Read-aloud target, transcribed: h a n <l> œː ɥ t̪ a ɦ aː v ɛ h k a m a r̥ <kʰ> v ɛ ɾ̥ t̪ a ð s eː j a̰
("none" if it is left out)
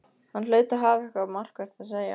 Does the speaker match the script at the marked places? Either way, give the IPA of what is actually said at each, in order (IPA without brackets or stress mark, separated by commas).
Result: l, k